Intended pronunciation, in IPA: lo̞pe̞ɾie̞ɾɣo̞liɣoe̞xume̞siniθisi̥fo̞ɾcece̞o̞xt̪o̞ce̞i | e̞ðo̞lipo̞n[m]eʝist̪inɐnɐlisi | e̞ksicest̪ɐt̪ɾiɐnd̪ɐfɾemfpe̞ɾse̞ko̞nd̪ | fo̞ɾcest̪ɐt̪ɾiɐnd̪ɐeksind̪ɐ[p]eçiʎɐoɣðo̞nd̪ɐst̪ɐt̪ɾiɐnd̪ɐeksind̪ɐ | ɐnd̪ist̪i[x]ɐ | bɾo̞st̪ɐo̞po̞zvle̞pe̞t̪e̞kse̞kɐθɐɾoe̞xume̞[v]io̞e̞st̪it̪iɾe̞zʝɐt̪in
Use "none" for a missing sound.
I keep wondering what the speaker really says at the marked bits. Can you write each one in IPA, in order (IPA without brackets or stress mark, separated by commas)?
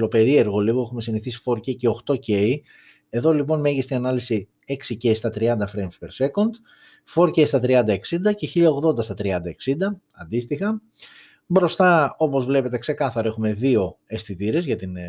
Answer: m, c, x, ð